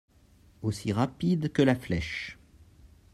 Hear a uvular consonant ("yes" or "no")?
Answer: yes